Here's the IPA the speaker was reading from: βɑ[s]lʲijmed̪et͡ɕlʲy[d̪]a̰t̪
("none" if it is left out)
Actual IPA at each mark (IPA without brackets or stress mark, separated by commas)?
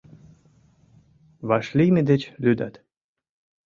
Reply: ʃ, d̪